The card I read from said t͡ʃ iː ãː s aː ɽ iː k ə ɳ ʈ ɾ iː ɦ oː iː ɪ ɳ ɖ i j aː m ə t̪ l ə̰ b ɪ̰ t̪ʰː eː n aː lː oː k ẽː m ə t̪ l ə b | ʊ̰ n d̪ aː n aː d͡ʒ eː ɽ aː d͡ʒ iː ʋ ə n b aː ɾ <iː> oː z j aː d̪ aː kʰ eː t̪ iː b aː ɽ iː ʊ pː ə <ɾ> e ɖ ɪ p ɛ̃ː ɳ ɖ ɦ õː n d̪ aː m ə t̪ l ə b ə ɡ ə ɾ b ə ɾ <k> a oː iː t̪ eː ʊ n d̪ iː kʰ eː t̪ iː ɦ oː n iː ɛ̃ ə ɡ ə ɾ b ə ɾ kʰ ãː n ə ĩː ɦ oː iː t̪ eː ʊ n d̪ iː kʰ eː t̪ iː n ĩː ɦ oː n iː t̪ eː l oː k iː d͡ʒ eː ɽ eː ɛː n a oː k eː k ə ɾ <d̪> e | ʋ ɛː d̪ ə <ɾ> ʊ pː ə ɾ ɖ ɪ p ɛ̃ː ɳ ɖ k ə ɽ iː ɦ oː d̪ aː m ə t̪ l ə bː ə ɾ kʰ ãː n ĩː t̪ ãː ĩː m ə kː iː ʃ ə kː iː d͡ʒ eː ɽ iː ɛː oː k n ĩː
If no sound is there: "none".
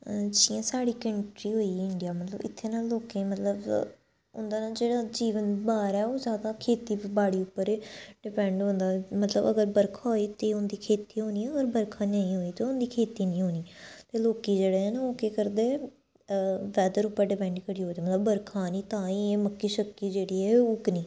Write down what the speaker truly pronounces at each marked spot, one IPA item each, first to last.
ɛː, ɾ, kʰ, d̪, ɾ

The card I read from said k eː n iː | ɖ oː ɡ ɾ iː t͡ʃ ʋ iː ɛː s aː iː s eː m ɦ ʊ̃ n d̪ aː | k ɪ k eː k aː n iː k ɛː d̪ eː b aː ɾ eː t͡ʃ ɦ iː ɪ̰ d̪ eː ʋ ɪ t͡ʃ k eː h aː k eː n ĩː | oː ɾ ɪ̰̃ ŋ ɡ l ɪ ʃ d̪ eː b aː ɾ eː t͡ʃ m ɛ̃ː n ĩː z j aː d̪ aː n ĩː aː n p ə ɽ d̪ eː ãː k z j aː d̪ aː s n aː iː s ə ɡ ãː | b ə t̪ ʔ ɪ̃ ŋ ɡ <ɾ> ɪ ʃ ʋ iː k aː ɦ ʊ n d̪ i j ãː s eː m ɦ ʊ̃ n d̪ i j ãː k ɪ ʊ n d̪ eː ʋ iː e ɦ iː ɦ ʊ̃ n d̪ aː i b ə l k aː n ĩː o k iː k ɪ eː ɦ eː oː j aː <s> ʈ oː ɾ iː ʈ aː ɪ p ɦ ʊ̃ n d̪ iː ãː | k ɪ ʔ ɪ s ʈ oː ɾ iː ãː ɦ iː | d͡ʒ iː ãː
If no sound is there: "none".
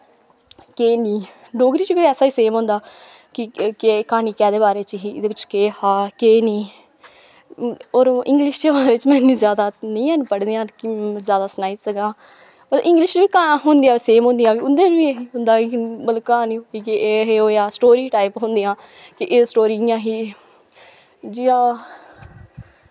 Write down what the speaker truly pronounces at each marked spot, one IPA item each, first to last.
l, s

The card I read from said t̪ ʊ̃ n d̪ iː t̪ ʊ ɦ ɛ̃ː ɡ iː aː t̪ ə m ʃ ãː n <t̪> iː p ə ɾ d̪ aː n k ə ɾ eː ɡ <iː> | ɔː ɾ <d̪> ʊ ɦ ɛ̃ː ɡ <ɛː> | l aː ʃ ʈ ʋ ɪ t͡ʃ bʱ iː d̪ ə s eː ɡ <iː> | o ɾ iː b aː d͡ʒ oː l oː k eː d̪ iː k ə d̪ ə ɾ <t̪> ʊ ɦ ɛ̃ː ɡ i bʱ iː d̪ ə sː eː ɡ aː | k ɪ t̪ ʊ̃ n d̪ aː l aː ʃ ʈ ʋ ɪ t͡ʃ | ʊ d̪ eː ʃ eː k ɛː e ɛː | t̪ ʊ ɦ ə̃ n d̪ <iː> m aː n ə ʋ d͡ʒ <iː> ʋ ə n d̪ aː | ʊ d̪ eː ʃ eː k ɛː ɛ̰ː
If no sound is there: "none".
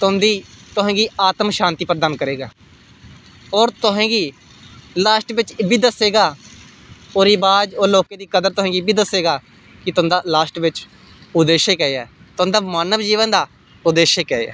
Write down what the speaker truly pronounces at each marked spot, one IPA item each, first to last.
t̪, aː, t̪, iː, aː, t̪, aː, iː

